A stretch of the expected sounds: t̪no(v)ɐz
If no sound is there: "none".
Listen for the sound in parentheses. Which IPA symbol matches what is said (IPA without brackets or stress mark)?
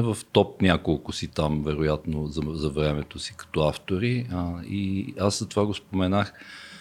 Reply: z